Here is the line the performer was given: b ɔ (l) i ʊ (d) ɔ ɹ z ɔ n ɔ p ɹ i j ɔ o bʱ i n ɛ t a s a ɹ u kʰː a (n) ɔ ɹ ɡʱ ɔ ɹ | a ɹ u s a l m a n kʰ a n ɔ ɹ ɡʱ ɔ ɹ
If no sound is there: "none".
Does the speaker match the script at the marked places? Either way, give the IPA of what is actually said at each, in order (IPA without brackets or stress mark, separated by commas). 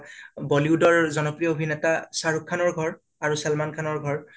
l, d, n